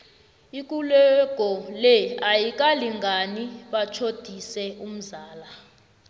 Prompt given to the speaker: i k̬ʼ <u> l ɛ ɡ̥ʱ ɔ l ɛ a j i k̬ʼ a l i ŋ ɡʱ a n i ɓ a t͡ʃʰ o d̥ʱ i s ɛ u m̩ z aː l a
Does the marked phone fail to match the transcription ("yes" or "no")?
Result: no